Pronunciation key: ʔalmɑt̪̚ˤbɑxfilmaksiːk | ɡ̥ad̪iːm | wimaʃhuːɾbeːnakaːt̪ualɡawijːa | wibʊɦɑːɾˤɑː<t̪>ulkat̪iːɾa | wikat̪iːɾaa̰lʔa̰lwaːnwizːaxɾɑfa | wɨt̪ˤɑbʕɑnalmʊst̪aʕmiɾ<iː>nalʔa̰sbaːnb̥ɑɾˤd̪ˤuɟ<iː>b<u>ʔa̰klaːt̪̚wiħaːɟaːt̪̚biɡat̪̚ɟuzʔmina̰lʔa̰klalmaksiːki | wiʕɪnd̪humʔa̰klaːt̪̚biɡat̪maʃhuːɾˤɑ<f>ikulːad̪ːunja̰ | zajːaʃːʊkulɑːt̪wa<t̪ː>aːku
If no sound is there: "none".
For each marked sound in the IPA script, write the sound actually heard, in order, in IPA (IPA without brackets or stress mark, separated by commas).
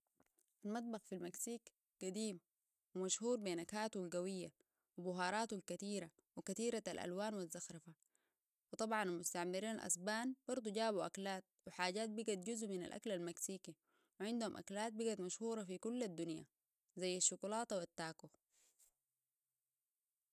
t̪, iː, aː, u, f, t̪ː